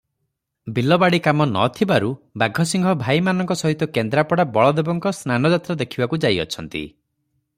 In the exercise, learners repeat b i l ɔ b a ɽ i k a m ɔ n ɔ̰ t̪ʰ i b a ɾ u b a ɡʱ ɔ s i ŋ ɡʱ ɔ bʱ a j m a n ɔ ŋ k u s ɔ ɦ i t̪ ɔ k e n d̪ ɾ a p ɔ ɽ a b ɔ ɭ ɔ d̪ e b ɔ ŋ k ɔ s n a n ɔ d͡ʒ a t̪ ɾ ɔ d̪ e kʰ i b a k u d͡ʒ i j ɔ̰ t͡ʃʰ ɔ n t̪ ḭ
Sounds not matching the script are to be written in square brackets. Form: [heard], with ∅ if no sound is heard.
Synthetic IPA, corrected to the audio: b i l ɔ b a ɽ i k a m ɔ n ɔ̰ t̪ʰ i b a ɾ u b a ɡʱ ɔ s i ŋ ɡʱ ɔ bʱ a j m a n ɔ ŋ k [ɔ] s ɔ ɦ i t̪ ɔ k e n d̪ ɾ a p ɔ ɽ a b ɔ ɭ ɔ d̪ e b ɔ ŋ k ɔ s n a n ɔ d͡ʒ a t̪ ɾ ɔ d̪ e kʰ i b a k u d͡ʒ [a] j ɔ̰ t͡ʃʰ ɔ n t̪ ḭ

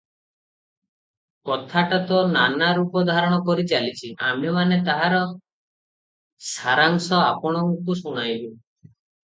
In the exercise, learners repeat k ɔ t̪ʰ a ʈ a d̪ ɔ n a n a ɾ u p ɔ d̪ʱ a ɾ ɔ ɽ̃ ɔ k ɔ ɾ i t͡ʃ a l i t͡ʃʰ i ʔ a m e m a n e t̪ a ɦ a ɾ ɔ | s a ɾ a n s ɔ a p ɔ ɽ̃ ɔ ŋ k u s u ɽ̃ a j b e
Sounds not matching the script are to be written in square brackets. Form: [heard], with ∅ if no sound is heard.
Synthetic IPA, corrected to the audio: k ɔ t̪ʰ a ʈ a [t̪] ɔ n a n a ɾ u p ɔ d̪ʱ a ɾ ɔ ɽ̃ ɔ k ɔ ɾ i t͡ʃ a l i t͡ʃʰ i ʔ a m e m a n e t̪ a ɦ a ɾ ɔ | s a ɾ a [ŋ] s ɔ a p ɔ ɽ̃ ɔ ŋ k u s u ɽ̃ a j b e

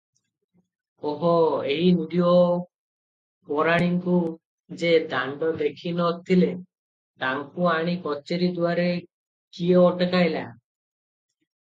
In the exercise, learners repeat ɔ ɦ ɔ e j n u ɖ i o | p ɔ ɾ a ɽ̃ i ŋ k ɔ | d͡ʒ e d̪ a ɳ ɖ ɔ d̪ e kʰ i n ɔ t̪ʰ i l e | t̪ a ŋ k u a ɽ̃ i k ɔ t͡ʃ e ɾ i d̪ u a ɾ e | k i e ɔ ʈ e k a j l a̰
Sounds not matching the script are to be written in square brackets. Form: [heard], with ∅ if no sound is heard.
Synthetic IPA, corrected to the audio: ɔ ɦ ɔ e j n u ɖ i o | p ɔ ɾ a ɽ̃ i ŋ k [u] | d͡ʒ e d̪ a ɳ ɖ ɔ d̪ e kʰ i n ɔ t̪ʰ i l e | t̪ a ŋ k u a ɽ̃ i k ɔ t͡ʃ e ɾ i d̪ u a ɾ e | k i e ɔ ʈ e k a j l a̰

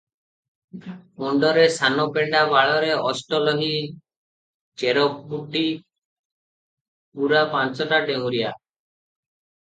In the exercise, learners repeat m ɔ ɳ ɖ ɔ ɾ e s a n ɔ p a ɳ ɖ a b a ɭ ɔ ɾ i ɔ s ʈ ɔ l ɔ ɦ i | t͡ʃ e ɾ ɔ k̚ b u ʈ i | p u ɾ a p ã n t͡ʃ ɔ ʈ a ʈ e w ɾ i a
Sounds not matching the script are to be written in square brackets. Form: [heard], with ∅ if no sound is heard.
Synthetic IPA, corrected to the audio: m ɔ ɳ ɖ ɔ ɾ e s a n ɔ p [e] ɳ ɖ a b a ɭ ɔ ɾ [e] ɔ s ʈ ɔ l ɔ ɦ i | t͡ʃ e ɾ ɔ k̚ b u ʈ i | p u ɾ a p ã n t͡ʃ ɔ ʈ a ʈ e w ɾ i a

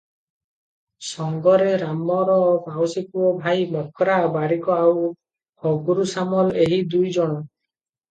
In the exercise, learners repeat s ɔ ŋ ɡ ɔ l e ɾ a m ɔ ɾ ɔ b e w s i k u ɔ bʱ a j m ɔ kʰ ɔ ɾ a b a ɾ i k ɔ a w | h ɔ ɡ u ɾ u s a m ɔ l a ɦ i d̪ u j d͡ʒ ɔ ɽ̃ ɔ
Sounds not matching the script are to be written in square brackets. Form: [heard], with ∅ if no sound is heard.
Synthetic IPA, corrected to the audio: s ɔ ŋ ɡ ɔ [ɾ] e ɾ a m ɔ ɾ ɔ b [a] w s i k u ɔ bʱ a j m ɔ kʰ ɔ ɾ a b a ɾ i k ɔ a w | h ɔ ɡ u ɾ u s a m ɔ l [e] ɦ i d̪ u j d͡ʒ ɔ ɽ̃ ɔ

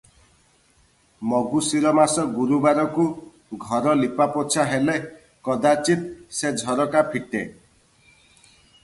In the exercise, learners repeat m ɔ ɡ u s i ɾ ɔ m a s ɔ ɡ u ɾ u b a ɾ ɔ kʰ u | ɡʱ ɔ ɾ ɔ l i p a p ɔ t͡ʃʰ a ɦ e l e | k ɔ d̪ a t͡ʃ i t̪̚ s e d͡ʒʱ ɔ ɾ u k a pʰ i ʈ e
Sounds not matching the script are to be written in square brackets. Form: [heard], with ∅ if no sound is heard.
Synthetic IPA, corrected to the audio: m ɔ ɡ u s i ɾ ɔ m a s ɔ ɡ u ɾ u b a ɾ ɔ [k] u | ɡʱ ɔ ɾ ɔ l i p a p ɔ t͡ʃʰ a ɦ e l e | k ɔ d̪ a t͡ʃ i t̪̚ s e d͡ʒʱ ɔ ɾ [ɔ] k a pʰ i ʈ e

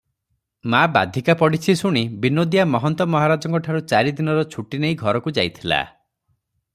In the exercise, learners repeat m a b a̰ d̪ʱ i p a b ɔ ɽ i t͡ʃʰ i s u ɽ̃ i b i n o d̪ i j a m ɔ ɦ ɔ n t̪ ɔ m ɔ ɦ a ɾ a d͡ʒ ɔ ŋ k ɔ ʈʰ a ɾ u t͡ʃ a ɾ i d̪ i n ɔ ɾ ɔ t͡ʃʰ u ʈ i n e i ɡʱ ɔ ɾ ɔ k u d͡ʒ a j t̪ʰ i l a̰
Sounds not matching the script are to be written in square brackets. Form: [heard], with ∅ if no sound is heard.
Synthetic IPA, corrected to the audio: m a b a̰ d̪ʱ i [k] a [p] ɔ ɽ i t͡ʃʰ i s u ɽ̃ i b i n o d̪ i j a m ɔ ɦ ɔ n t̪ ɔ m ɔ ɦ a ɾ a d͡ʒ ɔ ŋ k ɔ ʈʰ a ɾ u t͡ʃ a ɾ i d̪ i n ɔ ɾ ɔ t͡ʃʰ u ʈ i n e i ɡʱ ɔ ɾ ɔ k u d͡ʒ a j t̪ʰ i l a̰

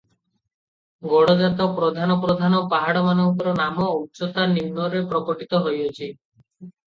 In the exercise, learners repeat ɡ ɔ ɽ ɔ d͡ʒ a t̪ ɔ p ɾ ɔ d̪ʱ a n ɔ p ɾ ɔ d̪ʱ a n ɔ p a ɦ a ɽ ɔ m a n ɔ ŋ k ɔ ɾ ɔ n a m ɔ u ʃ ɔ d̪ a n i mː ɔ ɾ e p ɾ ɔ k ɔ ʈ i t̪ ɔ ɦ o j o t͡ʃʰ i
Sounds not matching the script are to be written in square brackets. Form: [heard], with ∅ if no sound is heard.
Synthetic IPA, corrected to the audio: ɡ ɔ ɽ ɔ d͡ʒ a t̪ ɔ p ɾ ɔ d̪ʱ a n ɔ p ɾ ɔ d̪ʱ a n ɔ p a ɦ a ɽ ɔ m a n ɔ ŋ k ɔ ɾ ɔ n a m ɔ u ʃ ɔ [t̪] a n i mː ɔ ɾ e p ɾ ɔ k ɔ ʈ i t̪ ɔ ɦ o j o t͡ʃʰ i

